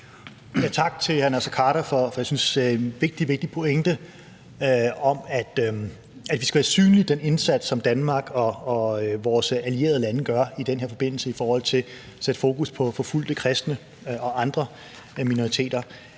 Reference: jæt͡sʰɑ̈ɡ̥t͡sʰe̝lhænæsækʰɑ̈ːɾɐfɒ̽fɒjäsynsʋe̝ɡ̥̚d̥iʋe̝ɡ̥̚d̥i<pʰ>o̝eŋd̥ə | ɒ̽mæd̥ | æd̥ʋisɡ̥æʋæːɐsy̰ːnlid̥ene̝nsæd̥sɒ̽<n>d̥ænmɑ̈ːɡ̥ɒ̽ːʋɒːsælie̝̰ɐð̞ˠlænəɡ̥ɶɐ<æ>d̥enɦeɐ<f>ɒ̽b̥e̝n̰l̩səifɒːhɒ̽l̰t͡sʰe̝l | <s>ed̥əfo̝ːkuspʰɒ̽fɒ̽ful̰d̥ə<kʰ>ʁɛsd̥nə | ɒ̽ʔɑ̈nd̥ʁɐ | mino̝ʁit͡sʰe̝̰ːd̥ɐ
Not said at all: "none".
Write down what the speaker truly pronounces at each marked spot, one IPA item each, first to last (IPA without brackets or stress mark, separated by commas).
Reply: pʰ, m, i, f, s, kʰ